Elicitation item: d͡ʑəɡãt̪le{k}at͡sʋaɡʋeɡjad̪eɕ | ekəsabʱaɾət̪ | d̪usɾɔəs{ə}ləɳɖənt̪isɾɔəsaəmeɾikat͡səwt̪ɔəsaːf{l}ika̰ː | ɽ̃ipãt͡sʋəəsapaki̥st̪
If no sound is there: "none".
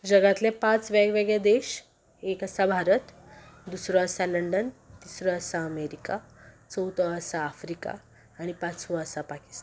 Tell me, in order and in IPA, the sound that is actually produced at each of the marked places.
p, a, ɾ

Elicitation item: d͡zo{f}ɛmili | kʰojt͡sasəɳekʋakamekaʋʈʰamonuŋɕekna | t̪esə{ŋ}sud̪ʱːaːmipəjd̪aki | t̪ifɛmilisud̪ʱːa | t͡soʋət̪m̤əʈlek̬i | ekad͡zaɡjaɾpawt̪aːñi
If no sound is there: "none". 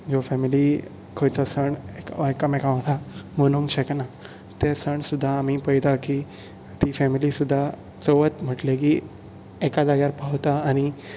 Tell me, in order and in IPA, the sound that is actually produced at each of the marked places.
f, ɳ

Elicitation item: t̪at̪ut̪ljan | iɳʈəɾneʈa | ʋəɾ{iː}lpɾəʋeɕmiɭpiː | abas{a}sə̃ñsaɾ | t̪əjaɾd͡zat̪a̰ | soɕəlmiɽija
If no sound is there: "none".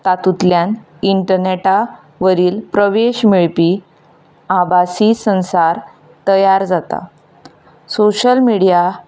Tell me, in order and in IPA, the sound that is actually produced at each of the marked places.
iː, i

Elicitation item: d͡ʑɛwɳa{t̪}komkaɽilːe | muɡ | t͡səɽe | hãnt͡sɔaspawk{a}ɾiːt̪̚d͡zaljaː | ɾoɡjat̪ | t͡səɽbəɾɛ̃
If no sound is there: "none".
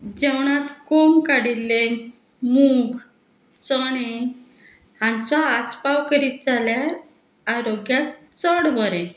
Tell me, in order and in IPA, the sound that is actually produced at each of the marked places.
t̪, ə

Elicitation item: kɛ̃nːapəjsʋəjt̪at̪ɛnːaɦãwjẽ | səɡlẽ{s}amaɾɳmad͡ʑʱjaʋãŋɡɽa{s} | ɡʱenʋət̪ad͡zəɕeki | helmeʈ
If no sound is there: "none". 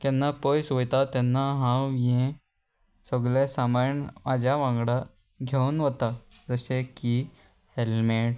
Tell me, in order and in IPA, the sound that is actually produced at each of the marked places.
s, none

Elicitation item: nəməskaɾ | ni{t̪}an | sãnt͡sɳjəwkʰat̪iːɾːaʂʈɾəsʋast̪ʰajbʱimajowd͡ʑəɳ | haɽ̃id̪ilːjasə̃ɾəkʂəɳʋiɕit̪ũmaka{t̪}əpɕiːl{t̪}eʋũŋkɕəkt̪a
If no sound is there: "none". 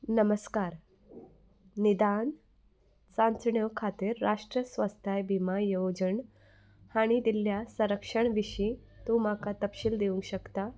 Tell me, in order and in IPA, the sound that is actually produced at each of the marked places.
d̪, t̪, d̪

